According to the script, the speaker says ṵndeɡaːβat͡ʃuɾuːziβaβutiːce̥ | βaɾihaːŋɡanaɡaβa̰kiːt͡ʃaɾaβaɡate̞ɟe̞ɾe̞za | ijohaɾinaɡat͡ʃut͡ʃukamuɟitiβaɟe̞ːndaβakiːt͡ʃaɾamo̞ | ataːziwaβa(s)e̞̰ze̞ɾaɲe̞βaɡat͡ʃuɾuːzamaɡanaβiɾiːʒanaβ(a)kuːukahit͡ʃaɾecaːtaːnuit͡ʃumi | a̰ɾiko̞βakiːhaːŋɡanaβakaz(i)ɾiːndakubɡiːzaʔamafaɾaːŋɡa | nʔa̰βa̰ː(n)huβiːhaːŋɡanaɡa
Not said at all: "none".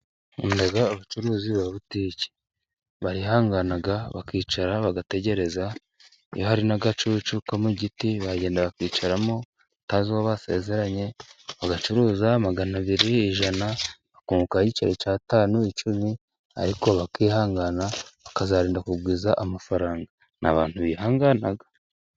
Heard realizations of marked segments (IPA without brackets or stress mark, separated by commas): s, a, a, n